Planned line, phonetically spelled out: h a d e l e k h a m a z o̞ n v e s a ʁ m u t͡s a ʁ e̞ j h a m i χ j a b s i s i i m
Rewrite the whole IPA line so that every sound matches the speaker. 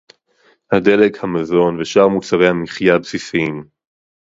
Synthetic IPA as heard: h a d e l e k h a m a z o̞ n v e ʃ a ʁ m u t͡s a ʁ e̞ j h a m i χ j a b s i s i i m